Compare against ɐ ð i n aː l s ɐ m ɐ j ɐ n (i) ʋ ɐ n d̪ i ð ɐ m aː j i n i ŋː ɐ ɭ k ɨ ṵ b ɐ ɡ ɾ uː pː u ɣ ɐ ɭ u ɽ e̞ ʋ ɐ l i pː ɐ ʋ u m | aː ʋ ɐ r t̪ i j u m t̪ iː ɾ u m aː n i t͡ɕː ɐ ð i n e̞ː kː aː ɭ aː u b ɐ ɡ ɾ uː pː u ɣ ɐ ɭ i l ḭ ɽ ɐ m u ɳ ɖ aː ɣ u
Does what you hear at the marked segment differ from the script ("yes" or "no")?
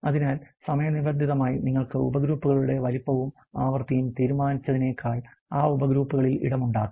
no